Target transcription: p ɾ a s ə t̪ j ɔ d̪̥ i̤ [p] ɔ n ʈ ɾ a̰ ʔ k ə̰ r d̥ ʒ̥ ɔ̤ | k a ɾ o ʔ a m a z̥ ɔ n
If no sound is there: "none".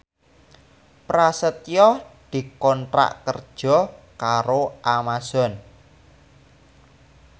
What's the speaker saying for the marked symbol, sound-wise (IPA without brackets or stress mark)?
k